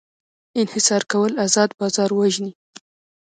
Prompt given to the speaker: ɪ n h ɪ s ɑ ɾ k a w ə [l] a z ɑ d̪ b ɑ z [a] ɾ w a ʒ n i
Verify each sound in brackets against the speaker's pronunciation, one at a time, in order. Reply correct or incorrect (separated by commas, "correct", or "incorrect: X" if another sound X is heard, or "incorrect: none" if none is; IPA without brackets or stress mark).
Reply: correct, incorrect: ɑ